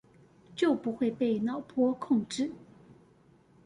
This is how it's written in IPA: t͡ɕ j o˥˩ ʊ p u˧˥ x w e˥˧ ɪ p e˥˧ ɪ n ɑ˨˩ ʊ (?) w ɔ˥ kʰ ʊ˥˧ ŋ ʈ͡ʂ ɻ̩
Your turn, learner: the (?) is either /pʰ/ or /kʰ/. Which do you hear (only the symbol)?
pʰ